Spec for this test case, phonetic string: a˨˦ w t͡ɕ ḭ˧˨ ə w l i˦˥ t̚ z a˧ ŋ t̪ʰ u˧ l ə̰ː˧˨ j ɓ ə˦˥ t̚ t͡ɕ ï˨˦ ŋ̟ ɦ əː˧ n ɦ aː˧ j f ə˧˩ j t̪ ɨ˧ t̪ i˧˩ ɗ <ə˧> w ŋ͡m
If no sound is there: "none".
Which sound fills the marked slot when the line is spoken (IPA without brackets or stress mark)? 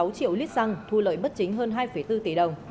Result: ə˨˩